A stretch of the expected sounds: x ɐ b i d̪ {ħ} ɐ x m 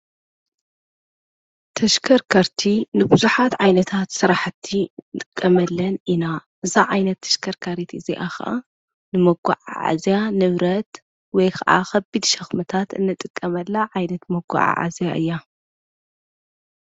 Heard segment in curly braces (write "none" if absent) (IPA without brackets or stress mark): ʃ